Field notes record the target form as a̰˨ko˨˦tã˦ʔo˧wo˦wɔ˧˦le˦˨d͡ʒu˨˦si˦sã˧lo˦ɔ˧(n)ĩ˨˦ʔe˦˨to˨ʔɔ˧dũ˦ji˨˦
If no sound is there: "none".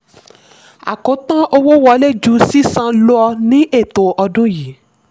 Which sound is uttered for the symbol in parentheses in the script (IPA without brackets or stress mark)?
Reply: n